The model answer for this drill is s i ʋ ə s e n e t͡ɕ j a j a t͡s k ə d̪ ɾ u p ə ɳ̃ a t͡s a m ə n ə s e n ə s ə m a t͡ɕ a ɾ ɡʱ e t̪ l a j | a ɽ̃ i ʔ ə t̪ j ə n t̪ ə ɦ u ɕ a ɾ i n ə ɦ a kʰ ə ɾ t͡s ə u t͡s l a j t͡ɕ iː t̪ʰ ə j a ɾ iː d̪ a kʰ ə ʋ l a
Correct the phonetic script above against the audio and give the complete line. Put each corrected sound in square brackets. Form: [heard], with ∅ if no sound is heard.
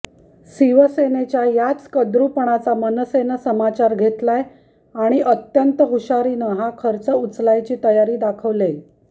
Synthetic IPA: s i ʋ ə s e n e t͡ɕ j a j a t͡s k ə d̪ ɾ u p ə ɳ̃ a t͡s a m ə n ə s e n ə s ə m a t͡ɕ a ɾ ɡʱ e t̪ l a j | a ɽ̃ i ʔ ə t̪ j ə n t̪ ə ɦ u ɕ a ɾ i n ə ɦ a kʰ ə ɾ t͡s ə u t͡s l a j t͡ɕ iː [t̪] ə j a ɾ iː d̪ a kʰ ə ʋ l [e]

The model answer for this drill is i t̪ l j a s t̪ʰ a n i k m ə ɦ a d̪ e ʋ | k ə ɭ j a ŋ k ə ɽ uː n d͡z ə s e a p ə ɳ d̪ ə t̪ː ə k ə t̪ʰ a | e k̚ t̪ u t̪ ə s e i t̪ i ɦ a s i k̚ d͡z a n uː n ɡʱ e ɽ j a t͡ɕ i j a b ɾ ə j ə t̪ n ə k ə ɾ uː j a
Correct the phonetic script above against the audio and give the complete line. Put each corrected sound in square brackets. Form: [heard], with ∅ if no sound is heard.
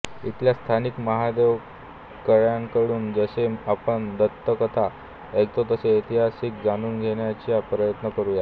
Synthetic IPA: i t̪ l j a s t̪ʰ a n i k m ə ɦ a d̪ e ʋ | k ə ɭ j a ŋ k ə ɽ uː n d͡z ə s e a p ə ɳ d̪ ə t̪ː ə k ə t̪ʰ a | e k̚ t̪ [o] t̪ ə s e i t̪ i ɦ a s i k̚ d͡z a n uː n ɡʱ e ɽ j a t͡ɕ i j a [p] ɾ ə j ə t̪ n ə k ə ɾ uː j a

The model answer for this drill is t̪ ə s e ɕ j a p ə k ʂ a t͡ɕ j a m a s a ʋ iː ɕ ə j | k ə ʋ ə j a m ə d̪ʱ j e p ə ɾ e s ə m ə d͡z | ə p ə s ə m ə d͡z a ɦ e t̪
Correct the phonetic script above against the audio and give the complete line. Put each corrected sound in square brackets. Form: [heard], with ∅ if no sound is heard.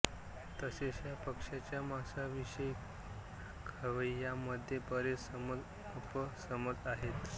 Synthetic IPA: t̪ ə s e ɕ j a p ə k ʂ a t͡ɕ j a m a s a ʋ [i] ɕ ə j | [kʰ] ə ʋ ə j a m ə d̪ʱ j e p ə ɾ e s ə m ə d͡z | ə p ə s ə m ə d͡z a ɦ e t̪

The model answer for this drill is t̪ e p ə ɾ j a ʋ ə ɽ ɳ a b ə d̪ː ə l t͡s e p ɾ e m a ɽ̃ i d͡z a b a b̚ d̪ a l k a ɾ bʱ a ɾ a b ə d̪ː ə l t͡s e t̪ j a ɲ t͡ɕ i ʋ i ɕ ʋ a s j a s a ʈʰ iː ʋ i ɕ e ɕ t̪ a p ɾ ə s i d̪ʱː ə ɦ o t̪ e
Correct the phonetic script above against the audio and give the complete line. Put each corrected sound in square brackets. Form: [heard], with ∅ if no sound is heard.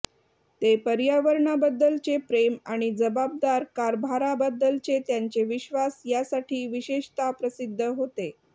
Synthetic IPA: t̪ e p ə ɾ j a ʋ ə [ɾ] ɳ a b ə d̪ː ə l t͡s e p ɾ e m a ɽ̃ i d͡z [ə] b a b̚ d̪ a [ɾ] k a ɾ bʱ a ɾ a b ə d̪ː ə l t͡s e t̪ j a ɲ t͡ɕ [e] ʋ i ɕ ʋ a s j a s a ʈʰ iː ʋ i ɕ e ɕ t̪ a p ɾ ə s i d̪ʱː ə ɦ o t̪ e

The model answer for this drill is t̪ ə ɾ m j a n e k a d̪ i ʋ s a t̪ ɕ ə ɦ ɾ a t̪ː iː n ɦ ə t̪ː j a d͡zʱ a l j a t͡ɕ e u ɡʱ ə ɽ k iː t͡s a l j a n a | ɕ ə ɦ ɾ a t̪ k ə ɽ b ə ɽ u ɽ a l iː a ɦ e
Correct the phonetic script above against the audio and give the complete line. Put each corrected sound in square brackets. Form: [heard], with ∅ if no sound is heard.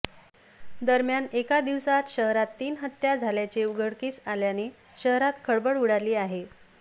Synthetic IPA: [d̪] ə ɾ m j a n e k a d̪ i ʋ s a t̪ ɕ ə ɦ ɾ a t̪ː iː n ɦ ə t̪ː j a d͡zʱ a l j a t͡ɕ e u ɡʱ ə ɽ k iː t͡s a l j a n [e] | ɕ ə ɦ ɾ a t̪ [kʰ] ə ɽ b ə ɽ u ɽ a l iː a ɦ e

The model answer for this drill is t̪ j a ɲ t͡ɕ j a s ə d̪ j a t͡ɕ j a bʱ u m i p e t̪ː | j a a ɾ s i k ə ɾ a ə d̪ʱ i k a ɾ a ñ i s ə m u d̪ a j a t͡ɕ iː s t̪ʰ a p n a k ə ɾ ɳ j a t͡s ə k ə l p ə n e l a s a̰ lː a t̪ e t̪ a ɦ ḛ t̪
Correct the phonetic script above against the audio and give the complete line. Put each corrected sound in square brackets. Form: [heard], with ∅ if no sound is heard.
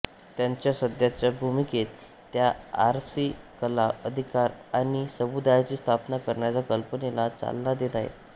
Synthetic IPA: t̪ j a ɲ t͡ɕ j a s ə d̪ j a t͡ɕ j a bʱ u m i [k] e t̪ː | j a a ɾ s i k ə [l] a ə d̪ʱ i k a ɾ a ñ i s ə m u d̪ a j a t͡ɕ iː s t̪ʰ a p n a k ə ɾ ɳ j a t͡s [a] k ə l p ə n e l a [t͡s] a̰ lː a [d̪] e t̪ a ɦ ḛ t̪

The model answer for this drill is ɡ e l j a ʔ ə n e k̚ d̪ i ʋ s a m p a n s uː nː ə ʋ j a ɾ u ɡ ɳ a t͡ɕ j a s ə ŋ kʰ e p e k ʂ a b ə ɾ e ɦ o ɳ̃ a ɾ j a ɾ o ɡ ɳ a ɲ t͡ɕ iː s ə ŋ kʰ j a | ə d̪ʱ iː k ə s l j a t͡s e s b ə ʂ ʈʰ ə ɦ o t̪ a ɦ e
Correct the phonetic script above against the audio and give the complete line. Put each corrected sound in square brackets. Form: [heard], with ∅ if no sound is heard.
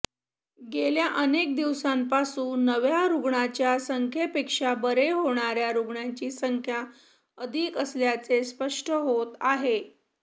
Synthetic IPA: ɡ e l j a ʔ ə n e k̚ d̪ i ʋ s a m p a [∅] s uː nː ə ʋ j a ɾ u ɡ ɳ a t͡ɕ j a s ə ŋ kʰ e p e k ʂ a b ə ɾ e ɦ o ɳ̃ a ɾ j a ɾ [u] ɡ ɳ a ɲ t͡ɕ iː s ə ŋ kʰ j a | ə d̪ʱ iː k ə s l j a t͡s e s [p] ə ʂ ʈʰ ə ɦ o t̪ a ɦ e

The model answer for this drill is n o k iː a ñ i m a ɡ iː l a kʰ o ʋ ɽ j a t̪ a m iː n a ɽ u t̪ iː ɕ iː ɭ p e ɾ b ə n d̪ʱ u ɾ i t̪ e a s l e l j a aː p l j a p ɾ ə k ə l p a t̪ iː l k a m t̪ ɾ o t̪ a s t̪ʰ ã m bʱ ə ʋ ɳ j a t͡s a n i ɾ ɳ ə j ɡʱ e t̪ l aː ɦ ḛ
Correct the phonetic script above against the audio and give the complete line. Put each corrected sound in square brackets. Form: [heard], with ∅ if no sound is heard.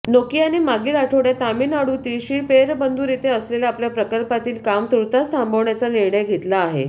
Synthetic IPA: n o k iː a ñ i m a ɡ iː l a [ʈʰ] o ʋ ɽ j a t̪ a m iː n a ɽ u t̪ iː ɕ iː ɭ p e ɾ b ə n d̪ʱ u ɾ i t̪ e [ə] s l e l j a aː p l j a p ɾ ə k ə l p a t̪ iː l k a m t̪ ɾ [u] t̪ a s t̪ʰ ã m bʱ ə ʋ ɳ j a t͡s a n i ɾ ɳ ə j ɡʱ e t̪ l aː ɦ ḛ

